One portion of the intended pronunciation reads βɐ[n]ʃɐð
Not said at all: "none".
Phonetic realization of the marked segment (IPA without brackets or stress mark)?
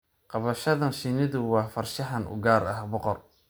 none